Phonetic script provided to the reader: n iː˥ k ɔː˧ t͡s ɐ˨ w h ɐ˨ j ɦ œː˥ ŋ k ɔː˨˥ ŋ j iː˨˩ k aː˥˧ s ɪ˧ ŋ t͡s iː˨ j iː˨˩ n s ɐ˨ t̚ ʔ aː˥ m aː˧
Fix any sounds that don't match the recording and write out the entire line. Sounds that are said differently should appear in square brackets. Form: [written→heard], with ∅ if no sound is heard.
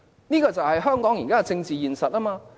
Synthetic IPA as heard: n iː˥ k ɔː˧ t͡s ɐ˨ w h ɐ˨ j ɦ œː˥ ŋ k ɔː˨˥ ŋ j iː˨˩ k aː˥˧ [s→t͡s] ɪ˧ ŋ t͡s iː˨ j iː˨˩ n s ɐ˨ t̚ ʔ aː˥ m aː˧